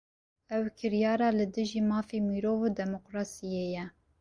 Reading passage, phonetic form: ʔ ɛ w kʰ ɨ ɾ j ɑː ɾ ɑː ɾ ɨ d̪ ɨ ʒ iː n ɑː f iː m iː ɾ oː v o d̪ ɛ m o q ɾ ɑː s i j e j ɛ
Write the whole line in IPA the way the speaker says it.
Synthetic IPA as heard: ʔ ɛ w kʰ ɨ ɾ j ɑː ɾ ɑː l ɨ d̪ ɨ ʒ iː m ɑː f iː m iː ɾ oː v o d̪ ɛ m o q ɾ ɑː s i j e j ɛ